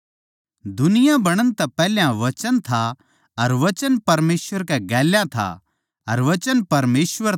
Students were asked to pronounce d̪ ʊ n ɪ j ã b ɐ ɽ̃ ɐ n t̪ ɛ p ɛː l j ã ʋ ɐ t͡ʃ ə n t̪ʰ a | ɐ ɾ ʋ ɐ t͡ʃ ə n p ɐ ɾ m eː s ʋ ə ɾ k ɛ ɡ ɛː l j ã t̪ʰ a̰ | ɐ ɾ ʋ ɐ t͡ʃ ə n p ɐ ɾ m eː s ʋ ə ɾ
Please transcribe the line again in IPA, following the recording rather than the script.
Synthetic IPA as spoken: d̪ ʊ n ɪ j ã b ɐ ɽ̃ ə n t̪ ɛ p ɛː l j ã ʋ ɐ t͡ʃ ə n t̪ʰ a | ɐ ɾ ʋ ɐ t͡ʃ ə n p ɐ ɾ m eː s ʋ ə ɾ k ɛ ɡ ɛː l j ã t̪ʰ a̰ | ɐ ɾ ʋ ɐ t͡ʃ ə n p ɐ ɾ m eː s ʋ ə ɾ